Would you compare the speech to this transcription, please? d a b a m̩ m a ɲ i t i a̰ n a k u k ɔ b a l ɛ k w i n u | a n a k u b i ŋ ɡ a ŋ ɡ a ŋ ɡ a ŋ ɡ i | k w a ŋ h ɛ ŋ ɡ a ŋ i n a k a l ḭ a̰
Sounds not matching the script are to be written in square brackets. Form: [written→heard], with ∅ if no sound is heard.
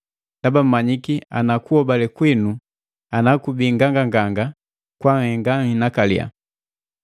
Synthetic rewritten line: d a b a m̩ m a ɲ i [t→k] i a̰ n a k u [k→∅] ɔ b a l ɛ k w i n u | a n a k u b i ŋ ɡ a ŋ ɡ a ŋ ɡ a ŋ ɡ [i→a] | k w a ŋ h ɛ ŋ ɡ a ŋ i n a k a l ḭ a̰